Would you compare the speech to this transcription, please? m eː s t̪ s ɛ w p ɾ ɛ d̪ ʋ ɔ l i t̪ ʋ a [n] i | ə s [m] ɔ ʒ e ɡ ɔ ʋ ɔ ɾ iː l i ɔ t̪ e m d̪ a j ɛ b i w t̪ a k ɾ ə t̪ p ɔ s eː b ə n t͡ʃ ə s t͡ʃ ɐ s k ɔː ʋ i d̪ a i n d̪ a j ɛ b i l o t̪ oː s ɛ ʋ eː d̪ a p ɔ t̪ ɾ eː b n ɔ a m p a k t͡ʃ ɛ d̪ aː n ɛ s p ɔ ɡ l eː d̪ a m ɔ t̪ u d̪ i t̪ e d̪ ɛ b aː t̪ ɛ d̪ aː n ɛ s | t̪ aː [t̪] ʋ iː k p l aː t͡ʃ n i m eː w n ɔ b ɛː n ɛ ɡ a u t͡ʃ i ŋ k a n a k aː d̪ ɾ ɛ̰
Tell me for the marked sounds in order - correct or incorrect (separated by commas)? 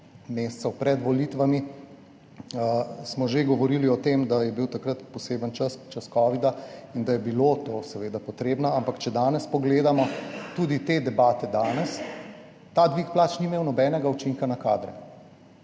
incorrect, correct, incorrect